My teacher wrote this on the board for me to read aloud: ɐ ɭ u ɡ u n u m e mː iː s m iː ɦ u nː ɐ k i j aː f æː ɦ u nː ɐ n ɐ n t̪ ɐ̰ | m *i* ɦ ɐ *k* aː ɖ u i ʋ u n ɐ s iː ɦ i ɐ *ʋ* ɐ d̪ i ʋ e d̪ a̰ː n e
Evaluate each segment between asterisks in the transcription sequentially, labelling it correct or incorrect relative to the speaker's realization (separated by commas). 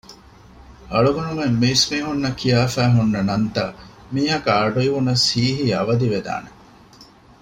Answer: incorrect, correct, correct